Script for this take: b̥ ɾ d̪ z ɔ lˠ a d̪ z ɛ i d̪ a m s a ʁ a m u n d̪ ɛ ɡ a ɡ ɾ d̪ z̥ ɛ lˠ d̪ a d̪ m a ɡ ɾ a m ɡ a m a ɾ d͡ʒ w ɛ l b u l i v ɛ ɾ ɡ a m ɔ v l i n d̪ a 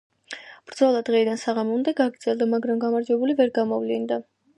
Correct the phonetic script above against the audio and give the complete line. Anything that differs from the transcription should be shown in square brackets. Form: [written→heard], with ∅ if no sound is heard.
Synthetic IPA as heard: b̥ ɾ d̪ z ɔ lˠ a d̪ [z→ʁ] ɛ i d̪ a [m→n] s a ʁ a m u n d̪ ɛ ɡ a ɡ ɾ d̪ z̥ ɛ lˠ d̪ a [d̪→∅] m a ɡ ɾ a m ɡ a m a ɾ d͡ʒ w ɛ [l→∅] b u l i v ɛ ɾ ɡ a m ɔ v l i n d̪ a

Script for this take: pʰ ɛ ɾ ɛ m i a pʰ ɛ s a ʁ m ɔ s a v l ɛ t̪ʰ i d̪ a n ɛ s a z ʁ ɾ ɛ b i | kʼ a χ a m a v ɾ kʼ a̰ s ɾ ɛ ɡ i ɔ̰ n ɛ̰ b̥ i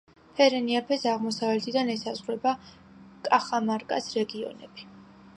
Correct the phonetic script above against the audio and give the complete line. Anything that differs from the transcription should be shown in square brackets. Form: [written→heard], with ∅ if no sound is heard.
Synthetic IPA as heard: pʰ ɛ ɾ ɛ [m→n] i a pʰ ɛ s a ʁ m ɔ s a v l ɛ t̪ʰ i d̪ a n ɛ s a z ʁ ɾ ɛ b [i→a] | kʼ a χ a m a [v→∅] ɾ kʼ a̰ s ɾ ɛ ɡ i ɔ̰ n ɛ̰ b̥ i

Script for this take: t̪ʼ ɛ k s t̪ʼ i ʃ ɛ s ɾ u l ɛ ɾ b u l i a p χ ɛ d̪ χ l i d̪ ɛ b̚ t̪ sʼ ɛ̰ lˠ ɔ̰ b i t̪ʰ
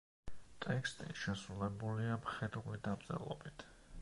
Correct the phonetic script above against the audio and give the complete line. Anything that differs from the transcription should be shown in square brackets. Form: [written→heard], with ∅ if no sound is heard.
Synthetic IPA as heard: t̪ʼ ɛ k s t̪ʼ i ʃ ɛ s ɾ u l ɛ [ɾ→∅] b u l i a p χ ɛ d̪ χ l i d̪ [ɛ→a] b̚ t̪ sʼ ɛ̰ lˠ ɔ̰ b i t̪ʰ

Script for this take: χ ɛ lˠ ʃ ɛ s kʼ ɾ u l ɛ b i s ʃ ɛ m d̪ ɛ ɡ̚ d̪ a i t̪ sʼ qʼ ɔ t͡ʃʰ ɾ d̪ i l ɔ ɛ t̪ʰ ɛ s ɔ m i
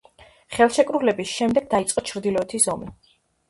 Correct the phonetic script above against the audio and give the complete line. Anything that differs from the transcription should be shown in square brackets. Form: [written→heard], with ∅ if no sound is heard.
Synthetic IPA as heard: χ ɛ lˠ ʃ ɛ [s→∅] kʼ ɾ u l ɛ b i s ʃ ɛ m d̪ ɛ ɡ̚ d̪ a i t̪ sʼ qʼ ɔ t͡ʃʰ ɾ d̪ i l ɔ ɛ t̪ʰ [ɛ→i] s ɔ m i

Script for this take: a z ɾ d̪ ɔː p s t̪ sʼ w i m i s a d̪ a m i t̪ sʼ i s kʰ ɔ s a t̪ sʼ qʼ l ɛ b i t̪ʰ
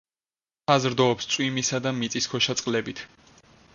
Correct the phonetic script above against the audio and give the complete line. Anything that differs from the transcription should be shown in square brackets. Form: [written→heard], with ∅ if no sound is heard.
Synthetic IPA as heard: a z ɾ d̪ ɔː p s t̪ sʼ w i m i s a d̪ a m i t̪ sʼ i s kʰ ɔ [s→ʃ] a t̪ sʼ qʼ l ɛ b i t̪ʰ

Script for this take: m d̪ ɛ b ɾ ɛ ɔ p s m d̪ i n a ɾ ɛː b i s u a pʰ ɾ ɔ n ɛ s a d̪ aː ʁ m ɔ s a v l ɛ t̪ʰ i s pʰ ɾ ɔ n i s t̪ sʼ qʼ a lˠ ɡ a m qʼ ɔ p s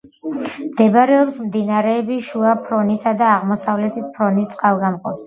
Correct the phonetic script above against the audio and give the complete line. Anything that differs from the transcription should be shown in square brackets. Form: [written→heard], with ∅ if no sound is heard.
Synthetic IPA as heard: m d̪ ɛ b ɾ ɛ ɔ p s m d̪ i n a ɾ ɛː b i [s→ʃ] u a pʰ ɾ ɔ n [ɛ→i] s a d̪ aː ʁ m ɔ s a v l ɛ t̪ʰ i s pʰ ɾ ɔ n i s t̪ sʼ qʼ a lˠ ɡ a m qʼ ɔ p s

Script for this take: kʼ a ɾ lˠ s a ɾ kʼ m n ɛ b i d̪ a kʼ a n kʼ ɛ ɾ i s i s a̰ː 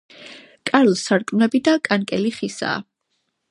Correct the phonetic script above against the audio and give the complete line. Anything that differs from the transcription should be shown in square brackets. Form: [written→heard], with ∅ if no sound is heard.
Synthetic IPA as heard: kʼ a ɾ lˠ s a ɾ kʼ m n ɛ b i d̪ a kʼ a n kʼ ɛ [ɾ→l] i [s→χ] i s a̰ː

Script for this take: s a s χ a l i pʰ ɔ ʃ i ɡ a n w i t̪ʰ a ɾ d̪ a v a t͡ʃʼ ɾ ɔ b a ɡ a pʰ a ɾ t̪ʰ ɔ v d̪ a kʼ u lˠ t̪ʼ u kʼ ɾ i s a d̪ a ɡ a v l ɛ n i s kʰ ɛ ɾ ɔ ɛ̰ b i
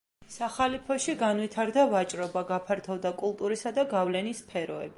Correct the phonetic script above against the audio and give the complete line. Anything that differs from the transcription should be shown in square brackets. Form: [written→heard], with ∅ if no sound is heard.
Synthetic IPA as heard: s a [s→∅] χ a l i pʰ ɔ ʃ i ɡ a n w i t̪ʰ a ɾ d̪ a v a t͡ʃʼ ɾ ɔ b a ɡ a pʰ a ɾ t̪ʰ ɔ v d̪ a kʼ u lˠ t̪ʼ u [kʼ→∅] ɾ i s a d̪ a ɡ a v l ɛ n i s [kʰ→pʰ] ɛ ɾ ɔ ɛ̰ b i

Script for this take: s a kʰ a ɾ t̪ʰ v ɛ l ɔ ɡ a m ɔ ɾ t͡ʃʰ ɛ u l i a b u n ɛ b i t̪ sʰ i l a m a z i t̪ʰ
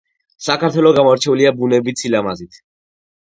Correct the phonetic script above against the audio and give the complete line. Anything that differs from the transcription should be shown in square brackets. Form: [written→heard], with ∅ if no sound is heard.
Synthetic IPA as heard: s a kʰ a ɾ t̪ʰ [v→w] ɛ l ɔ ɡ a m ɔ ɾ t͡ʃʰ ɛ u l i a b u n ɛ b i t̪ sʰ i l a m a z i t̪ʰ

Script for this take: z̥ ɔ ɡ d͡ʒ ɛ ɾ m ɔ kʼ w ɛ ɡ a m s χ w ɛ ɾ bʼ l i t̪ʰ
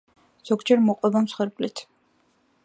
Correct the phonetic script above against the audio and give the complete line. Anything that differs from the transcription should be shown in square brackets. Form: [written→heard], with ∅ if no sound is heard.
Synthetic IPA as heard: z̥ ɔ ɡ d͡ʒ ɛ ɾ m ɔ [kʼ→qʼ] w ɛ [ɡ→b] a m s χ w ɛ ɾ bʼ l i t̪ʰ

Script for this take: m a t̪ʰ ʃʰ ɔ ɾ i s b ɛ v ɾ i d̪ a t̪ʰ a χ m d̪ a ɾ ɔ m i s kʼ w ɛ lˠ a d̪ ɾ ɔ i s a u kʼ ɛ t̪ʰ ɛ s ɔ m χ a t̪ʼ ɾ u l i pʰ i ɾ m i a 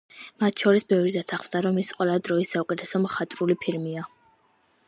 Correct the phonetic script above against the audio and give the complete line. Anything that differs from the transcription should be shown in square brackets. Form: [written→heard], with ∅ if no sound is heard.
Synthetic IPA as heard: m a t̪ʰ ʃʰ ɔ ɾ i s b ɛ v ɾ i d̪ a t̪ʰ a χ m d̪ a ɾ ɔ m i s [kʼ→qʼ] w ɛ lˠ a d̪ ɾ ɔ i s a u kʼ ɛ t̪ʰ ɛ s ɔ m χ a t̪ʼ ɾ u l i pʰ i ɾ m i a

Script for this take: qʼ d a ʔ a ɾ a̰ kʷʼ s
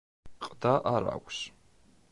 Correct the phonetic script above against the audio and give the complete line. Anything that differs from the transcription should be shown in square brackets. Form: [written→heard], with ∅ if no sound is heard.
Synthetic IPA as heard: qʼ d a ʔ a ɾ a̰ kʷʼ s

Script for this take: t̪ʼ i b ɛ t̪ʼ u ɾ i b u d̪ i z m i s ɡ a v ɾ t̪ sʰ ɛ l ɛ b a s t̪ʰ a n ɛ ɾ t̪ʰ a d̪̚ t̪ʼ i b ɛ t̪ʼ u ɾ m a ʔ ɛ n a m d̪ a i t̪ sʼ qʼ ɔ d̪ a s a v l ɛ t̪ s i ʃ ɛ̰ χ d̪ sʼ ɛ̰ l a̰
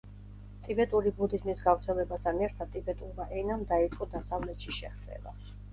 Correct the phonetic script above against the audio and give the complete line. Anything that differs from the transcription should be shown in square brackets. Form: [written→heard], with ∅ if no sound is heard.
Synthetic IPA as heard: t̪ʼ i b ɛ t̪ʼ u ɾ i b u d̪ i z m i s ɡ a v ɾ t̪ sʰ ɛ l ɛ b a s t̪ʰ a n ɛ ɾ t̪ʰ a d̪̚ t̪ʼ i b ɛ t̪ʼ u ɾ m a ʔ ɛ n a m d̪ a i t̪ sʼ qʼ ɔ d̪ a s a v l ɛ t̪ [s→ʃ] i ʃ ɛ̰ χ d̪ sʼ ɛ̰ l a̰

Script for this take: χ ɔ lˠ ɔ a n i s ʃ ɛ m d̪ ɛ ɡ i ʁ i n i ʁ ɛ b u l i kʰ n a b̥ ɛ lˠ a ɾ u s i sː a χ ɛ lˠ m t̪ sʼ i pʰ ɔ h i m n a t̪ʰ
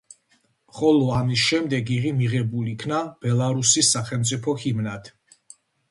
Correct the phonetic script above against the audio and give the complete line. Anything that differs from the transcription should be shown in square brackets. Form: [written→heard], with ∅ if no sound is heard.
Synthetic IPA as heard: χ ɔ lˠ ɔ a [n→m] i s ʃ ɛ m d̪ ɛ ɡ i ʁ i [n→m] i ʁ ɛ b u l i kʰ n a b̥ ɛ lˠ a ɾ u s i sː a χ ɛ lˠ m t̪ sʼ i pʰ ɔ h i m n a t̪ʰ

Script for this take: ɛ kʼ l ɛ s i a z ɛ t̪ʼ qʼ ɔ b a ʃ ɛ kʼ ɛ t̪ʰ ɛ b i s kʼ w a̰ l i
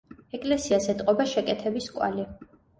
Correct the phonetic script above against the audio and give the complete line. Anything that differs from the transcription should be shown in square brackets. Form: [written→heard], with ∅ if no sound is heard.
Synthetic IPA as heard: ɛ kʼ l ɛ s i a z ɛ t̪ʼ qʼ ɔ b a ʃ ɛ kʼ ɛ t̪ʰ ɛ b i s kʼ w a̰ l i

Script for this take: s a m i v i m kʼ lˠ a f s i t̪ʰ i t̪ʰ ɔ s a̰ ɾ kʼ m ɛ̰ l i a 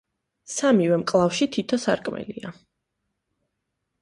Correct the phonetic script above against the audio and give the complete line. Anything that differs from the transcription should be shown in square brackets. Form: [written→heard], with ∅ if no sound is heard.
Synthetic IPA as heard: s a m i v [i→ɛ] m kʼ lˠ a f [s→ʃ] i t̪ʰ i t̪ʰ ɔ s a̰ ɾ kʼ m ɛ̰ l i a

